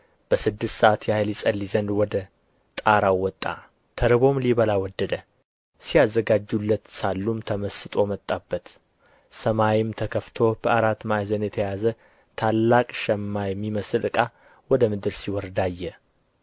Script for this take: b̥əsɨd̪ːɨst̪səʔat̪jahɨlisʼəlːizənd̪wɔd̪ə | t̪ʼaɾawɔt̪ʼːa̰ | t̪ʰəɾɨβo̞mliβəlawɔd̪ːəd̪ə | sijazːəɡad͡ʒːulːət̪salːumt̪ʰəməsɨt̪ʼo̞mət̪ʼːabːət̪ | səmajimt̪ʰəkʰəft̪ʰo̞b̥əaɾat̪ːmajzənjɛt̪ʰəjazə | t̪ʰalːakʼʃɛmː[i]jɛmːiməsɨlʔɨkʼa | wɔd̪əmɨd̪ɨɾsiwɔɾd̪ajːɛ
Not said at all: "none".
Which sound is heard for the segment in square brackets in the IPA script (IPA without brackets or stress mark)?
a